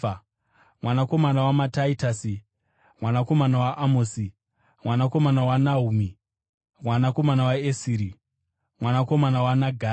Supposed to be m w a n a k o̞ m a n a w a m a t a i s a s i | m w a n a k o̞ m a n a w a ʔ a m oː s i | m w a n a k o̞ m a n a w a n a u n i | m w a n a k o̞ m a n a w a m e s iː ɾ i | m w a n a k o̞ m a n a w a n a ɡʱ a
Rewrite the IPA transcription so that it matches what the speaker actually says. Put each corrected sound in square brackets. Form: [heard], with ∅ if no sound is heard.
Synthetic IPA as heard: m w a n a k o̞ m a n a w a m a t a i [t] a s i | m w a n a k o̞ m a n a w a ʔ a m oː s i | m w a n a k o̞ m a n a w a n a u [m] i | m w a n a k o̞ m a n a w a [∅] e s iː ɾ i | m w a n a k o̞ m a n a w a n a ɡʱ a